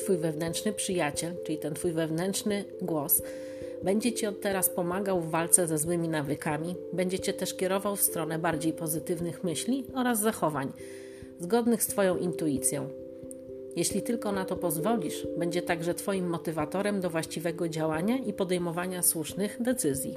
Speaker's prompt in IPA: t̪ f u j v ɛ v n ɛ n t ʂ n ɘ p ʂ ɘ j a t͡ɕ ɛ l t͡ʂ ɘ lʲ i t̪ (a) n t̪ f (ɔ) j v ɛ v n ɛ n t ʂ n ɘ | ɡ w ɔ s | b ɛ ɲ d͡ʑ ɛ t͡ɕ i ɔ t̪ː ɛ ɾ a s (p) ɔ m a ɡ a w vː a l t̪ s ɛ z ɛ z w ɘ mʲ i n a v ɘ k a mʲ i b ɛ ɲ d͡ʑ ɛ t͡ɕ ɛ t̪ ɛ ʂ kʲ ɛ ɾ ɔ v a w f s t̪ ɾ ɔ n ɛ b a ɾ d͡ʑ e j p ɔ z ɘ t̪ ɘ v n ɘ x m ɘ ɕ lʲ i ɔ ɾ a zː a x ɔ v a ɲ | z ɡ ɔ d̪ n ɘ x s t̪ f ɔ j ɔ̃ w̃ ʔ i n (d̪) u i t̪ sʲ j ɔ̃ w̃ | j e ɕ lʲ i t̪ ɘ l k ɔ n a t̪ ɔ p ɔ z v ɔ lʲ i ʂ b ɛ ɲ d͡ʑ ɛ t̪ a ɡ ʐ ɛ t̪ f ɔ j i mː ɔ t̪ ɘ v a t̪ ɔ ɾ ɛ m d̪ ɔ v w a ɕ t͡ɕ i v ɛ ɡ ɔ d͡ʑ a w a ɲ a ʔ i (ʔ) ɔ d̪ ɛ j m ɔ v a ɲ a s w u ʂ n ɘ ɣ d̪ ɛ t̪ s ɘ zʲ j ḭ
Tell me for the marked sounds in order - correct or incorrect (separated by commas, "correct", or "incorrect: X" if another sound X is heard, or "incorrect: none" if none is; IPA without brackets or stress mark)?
incorrect: ɛ, incorrect: u, correct, incorrect: t̪, incorrect: p